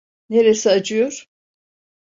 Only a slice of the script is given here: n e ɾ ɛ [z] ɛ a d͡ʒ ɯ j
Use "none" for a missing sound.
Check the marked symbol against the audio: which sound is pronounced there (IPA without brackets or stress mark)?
s